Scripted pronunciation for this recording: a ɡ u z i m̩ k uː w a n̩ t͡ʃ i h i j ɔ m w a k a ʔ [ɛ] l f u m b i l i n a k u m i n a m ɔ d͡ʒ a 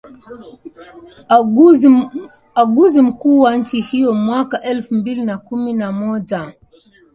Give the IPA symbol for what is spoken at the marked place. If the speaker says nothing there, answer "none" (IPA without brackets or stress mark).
ɛ